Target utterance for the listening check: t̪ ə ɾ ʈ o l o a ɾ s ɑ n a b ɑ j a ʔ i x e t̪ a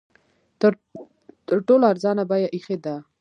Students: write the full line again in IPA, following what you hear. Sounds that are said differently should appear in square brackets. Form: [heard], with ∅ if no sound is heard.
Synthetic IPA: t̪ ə ɾ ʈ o l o a ɾ [z] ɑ n a b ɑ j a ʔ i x e [d̪] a